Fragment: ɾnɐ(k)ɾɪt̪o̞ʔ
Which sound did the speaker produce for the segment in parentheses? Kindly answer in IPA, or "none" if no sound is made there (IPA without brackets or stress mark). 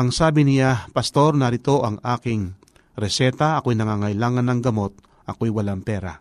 none